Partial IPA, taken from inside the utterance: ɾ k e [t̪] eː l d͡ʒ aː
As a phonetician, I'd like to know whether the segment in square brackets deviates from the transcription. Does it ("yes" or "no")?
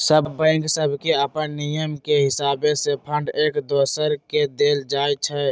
yes